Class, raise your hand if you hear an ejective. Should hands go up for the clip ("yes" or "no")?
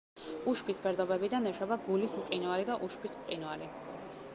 yes